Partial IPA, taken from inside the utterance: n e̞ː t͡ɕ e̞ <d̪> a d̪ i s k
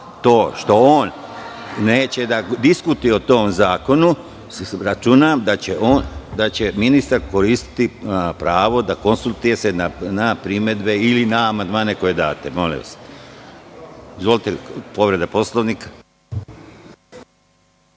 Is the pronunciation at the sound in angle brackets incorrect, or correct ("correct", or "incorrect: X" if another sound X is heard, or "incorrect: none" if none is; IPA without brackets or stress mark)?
correct